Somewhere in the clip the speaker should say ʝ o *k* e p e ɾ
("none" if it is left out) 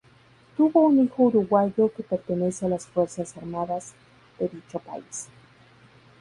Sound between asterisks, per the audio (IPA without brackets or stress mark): k